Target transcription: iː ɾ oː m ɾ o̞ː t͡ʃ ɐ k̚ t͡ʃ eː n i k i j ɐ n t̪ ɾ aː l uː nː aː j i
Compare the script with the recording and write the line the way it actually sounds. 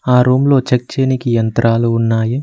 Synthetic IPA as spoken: aː ɾ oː m l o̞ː t͡ʃ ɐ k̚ t͡ʃ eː n i k i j ɐ n t̪ ɾ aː l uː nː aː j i